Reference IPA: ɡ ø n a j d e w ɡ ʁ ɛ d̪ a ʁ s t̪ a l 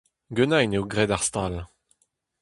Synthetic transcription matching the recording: ɡ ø n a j n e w ɡ ʁ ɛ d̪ a ʁ s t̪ a l